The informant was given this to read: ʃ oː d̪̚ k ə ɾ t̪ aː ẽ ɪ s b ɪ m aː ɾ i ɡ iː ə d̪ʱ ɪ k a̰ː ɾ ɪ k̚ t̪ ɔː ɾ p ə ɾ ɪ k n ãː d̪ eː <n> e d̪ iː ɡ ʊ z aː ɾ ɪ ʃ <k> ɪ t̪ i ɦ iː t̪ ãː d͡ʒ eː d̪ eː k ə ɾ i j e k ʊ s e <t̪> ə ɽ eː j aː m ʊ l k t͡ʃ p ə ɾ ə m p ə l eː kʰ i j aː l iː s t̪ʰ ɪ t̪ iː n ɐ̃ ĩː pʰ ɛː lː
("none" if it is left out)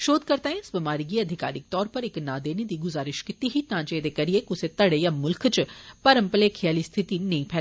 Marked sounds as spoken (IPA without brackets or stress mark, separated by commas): n, k, t̪